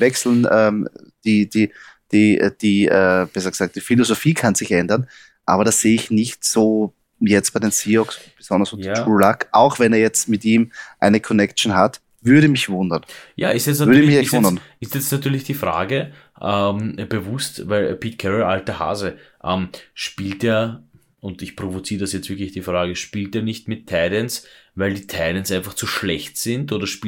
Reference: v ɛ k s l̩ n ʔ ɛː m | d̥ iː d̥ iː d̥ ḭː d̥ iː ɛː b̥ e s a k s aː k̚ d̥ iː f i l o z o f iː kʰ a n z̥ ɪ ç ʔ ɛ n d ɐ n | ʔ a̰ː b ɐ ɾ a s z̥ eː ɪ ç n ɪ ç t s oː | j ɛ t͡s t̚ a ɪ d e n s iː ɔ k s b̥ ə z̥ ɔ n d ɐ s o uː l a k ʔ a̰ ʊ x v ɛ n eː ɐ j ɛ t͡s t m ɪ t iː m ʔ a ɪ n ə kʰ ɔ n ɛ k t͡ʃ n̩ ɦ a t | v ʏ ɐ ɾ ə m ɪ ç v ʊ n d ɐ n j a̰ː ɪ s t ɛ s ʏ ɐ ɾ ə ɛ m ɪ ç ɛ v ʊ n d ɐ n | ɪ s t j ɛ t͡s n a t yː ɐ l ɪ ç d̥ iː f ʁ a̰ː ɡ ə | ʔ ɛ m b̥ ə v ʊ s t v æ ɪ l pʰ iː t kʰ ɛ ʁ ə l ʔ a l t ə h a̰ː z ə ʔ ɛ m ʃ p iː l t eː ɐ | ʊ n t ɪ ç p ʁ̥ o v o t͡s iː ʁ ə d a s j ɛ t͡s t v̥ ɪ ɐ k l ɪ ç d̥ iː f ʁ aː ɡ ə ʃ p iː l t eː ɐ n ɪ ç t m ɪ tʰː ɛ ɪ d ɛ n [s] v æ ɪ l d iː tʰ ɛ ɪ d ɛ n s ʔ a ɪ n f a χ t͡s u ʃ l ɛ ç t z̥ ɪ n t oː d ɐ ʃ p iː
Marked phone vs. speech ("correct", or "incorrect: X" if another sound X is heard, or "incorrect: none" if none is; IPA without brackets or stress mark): correct